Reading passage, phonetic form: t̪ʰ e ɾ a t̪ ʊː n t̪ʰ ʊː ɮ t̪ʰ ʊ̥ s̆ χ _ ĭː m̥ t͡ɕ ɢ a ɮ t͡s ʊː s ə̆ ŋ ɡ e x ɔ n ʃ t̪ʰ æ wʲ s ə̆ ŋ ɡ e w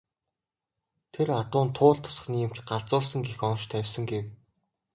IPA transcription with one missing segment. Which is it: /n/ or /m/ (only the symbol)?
n